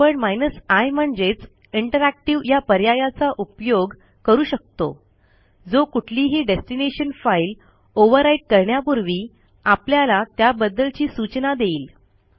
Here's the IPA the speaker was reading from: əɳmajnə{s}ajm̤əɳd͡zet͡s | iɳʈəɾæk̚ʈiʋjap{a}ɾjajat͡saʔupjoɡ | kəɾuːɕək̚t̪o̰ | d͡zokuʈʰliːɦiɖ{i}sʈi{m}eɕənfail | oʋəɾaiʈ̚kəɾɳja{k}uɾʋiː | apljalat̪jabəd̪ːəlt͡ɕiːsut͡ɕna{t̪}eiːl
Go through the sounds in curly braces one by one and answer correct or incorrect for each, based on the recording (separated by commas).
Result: correct, incorrect, incorrect, incorrect, incorrect, incorrect